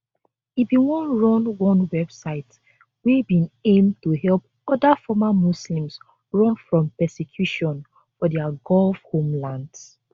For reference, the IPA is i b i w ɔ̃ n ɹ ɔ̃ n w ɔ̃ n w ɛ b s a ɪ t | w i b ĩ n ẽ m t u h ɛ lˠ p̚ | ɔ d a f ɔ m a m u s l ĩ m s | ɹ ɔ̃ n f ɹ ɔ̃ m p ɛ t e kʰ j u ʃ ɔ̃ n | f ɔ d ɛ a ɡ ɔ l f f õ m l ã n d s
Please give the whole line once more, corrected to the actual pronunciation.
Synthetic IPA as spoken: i b i w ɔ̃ n ɹ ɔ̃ n w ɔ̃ n w ɛ b s a ɪ t | w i b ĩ n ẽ m t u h ɛ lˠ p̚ | ɔ d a f ɔ m a m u s l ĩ m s | ɹ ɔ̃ n f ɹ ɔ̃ m p ɛ s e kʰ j u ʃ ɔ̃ n | f ɔ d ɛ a ɡ ɔ l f h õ m l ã n d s